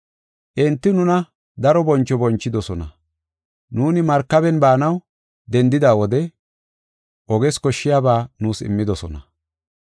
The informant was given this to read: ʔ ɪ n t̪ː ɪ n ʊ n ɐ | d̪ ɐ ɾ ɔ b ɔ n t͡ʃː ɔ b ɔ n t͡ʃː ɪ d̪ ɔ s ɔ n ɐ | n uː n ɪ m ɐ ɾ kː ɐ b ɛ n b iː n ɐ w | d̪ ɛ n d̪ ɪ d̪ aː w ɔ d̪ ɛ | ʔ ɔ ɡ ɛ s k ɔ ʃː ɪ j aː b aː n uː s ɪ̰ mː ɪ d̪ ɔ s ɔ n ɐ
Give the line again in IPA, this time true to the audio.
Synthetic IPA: ʔ ɪ n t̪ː ɪ n ʊ n ɐ | d̪ ɐ ɾ ɔ b ɔ n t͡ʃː ɔ b ɔ n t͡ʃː ɪ d̪ ɔ s ɔ n ɐ | n uː n ɪ m ɐ ɾ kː ɐ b ɛ n b aː n ɐ w | d̪ ɛ n d̪ ɪ d̪ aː w ɔ d̪ ɛ | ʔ ɔ ɡ ɛ s k ɔ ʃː ɪ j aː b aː n uː s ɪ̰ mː ɪ d̪ ɔ s ɔ n ɐ